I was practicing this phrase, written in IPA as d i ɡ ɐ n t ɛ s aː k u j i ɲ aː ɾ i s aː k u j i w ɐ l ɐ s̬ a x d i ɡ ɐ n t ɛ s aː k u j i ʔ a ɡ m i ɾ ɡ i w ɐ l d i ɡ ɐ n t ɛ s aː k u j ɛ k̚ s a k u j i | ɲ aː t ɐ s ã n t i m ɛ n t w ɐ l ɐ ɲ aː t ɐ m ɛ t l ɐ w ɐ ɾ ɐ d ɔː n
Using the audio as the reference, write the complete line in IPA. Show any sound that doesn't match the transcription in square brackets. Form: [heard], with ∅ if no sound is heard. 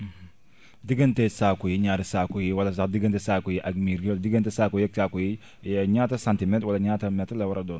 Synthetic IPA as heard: d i ɡ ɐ n t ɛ s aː k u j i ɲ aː ɾ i s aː k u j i w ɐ l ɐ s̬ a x d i ɡ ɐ n t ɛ s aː k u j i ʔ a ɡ m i ɾ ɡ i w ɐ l d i ɡ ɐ n t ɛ s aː k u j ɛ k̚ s a k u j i | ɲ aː t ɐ s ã n t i m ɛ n t w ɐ l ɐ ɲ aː t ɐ m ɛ t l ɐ w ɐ ɾ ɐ d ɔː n